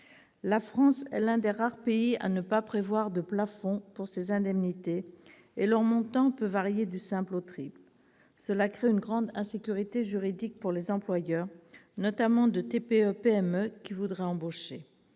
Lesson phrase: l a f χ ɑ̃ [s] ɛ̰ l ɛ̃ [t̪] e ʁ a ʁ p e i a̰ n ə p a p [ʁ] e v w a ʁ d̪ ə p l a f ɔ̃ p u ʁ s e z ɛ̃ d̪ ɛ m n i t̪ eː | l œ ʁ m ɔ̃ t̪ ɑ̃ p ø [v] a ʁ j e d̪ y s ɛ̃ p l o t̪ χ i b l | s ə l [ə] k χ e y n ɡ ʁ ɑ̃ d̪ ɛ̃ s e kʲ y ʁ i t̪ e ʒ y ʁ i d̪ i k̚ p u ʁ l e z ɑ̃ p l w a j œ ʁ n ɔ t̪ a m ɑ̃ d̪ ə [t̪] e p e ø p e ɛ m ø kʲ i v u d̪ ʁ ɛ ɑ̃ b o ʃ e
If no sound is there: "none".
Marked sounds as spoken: s, d̪, χ, v, a, t̪

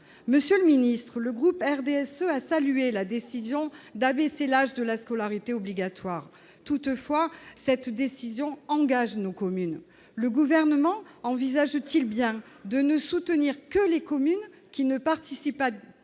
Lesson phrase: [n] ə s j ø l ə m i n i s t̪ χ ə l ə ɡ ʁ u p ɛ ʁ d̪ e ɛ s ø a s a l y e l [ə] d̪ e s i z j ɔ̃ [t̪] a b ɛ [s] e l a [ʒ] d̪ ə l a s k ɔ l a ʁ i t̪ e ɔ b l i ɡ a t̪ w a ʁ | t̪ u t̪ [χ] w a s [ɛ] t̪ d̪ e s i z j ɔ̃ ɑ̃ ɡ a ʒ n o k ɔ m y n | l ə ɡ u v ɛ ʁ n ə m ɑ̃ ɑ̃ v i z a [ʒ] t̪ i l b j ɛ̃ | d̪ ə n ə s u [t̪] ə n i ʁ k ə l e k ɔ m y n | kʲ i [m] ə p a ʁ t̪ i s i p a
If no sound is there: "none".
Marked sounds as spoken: m, a, d̪, s, ʒ, f, ɛ, ʒ, t̪, n

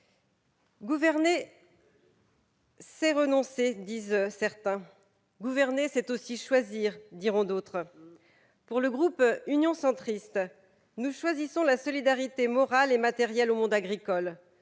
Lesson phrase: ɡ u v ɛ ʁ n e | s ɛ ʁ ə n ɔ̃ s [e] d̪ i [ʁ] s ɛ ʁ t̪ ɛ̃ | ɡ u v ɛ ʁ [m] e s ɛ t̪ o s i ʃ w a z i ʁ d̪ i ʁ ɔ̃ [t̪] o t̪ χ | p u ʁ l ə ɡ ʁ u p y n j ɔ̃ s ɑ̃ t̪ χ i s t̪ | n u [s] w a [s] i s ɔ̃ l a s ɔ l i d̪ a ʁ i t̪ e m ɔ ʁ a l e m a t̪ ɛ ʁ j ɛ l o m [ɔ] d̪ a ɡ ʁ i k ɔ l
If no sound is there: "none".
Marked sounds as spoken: e, z, n, d̪, ʃ, z, ɔ̃

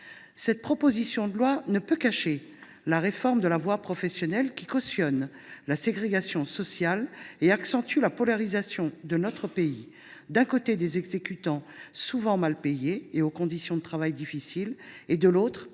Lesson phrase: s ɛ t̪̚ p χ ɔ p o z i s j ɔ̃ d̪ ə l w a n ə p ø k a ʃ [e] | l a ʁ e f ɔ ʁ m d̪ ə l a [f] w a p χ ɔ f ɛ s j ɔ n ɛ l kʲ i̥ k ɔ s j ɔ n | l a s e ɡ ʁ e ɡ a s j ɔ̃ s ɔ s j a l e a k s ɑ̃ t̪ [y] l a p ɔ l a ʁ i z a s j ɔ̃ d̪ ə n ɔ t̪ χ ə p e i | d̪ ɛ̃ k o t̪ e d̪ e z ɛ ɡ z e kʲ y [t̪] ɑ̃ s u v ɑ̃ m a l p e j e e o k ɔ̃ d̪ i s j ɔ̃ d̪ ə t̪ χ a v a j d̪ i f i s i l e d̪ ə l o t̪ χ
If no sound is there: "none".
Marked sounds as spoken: e, v, y, t̪

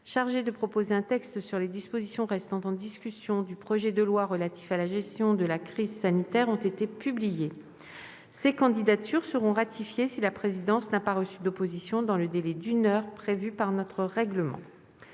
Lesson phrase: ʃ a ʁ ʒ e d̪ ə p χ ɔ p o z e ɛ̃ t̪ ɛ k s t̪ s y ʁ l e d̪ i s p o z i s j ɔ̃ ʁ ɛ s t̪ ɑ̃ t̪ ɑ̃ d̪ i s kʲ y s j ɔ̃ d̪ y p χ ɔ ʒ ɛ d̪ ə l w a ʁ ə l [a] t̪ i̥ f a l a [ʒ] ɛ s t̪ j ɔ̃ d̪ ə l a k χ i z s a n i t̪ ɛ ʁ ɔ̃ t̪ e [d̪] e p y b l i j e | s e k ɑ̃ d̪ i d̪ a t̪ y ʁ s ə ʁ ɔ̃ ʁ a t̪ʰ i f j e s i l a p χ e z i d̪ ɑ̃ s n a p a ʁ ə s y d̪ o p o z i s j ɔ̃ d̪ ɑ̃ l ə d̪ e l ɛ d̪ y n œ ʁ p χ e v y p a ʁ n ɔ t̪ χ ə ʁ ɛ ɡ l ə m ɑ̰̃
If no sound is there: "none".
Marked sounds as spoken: a, ʒ, t̪

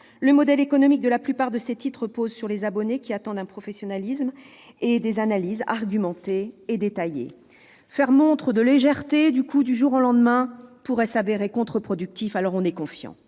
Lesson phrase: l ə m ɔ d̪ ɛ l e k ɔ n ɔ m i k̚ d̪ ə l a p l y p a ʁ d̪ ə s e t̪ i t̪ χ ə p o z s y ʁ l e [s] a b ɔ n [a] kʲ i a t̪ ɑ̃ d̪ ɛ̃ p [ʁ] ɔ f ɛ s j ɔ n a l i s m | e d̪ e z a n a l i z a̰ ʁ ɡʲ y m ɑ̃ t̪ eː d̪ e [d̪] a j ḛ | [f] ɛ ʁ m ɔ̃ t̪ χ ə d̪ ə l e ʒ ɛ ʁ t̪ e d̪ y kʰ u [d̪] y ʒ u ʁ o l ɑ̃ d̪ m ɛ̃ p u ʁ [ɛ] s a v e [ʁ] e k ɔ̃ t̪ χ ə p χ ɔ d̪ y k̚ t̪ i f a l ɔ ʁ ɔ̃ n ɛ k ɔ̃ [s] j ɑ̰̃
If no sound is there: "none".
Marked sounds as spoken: z, e, χ, t̪, f, d̪, ɛ, ʁ, f

